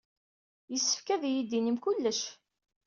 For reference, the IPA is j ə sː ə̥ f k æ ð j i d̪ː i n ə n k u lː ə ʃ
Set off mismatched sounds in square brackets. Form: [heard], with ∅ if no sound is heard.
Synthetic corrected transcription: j ə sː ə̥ f k æ ð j i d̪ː i n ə [m] k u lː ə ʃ